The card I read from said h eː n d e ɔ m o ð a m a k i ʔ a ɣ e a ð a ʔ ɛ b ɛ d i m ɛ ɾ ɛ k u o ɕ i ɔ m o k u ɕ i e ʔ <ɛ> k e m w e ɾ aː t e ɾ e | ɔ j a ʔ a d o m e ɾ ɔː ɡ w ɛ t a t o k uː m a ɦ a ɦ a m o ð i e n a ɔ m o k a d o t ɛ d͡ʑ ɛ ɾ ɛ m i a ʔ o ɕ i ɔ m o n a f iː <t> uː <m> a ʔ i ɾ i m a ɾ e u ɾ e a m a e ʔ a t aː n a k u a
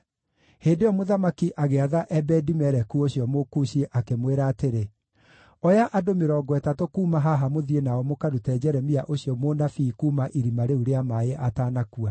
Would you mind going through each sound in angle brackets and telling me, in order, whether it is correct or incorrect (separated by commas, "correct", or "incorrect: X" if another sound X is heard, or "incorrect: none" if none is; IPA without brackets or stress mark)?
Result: incorrect: a, incorrect: k, correct